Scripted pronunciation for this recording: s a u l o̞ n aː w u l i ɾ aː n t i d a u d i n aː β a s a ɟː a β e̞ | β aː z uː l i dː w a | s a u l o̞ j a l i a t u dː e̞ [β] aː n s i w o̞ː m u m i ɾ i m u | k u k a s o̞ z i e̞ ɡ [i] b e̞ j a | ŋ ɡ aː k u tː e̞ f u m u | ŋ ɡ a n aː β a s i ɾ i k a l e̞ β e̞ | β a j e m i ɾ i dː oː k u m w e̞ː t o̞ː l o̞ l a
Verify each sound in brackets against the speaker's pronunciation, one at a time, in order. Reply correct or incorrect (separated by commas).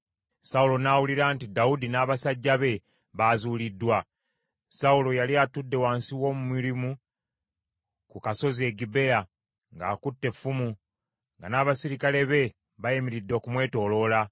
incorrect, correct